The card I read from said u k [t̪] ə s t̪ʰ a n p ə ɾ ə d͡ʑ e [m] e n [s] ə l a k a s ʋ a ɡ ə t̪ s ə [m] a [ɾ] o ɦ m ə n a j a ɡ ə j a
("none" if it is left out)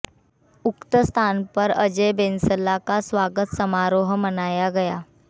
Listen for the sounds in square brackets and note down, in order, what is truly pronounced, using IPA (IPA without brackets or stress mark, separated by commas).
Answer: t̪, b, s, m, ɾ